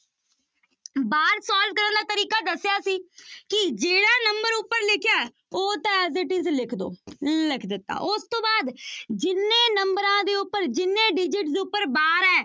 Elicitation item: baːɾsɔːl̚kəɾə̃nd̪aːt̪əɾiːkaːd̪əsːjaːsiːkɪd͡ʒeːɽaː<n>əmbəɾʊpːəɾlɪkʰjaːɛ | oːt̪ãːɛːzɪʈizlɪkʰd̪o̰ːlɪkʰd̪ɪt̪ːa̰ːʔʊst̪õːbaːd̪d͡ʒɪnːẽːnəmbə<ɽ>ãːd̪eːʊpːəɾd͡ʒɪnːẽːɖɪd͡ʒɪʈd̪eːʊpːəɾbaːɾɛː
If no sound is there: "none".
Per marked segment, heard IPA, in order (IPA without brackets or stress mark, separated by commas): n, ɾ